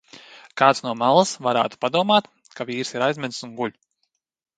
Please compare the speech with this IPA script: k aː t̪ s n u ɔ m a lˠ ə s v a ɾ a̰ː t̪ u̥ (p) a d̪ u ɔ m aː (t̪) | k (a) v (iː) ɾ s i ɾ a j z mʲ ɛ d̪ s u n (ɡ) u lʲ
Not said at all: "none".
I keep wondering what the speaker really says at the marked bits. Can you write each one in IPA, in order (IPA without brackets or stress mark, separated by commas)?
p, t̪, a, iː, ɡ